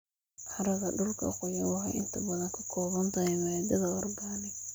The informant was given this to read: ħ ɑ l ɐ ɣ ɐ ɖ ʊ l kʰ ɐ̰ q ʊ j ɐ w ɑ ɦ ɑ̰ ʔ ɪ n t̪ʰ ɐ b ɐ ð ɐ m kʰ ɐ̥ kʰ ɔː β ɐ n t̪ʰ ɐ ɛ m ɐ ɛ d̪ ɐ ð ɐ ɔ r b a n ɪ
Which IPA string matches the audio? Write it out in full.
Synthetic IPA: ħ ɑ ɾ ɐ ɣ ɐ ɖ ʊ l kʰ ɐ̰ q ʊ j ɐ w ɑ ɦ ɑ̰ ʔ ɪ n t̪ʰ ɐ b ɐ ð ɐ ŋ kʰ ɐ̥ kʰ ɔː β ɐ n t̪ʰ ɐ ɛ m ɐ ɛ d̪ ɐ ð ɐ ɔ r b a n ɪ